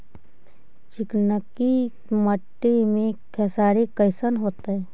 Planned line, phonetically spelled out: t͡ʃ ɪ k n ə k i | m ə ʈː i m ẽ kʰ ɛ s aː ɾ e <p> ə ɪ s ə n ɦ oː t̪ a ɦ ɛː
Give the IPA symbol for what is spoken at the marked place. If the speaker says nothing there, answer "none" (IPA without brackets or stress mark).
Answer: k